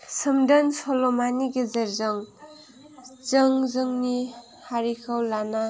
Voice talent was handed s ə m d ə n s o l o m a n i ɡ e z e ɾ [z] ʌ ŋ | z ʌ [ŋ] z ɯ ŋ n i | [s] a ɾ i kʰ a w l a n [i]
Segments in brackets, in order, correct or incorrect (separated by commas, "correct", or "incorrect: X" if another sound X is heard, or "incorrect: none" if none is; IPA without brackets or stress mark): correct, correct, incorrect: h, incorrect: a